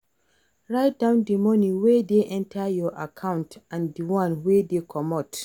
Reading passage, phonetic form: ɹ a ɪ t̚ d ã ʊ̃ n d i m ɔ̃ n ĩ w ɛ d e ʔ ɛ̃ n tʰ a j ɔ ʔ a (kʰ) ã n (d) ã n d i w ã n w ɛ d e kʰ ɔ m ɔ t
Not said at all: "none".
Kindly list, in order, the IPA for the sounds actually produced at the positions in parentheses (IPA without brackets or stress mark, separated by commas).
kʰ, t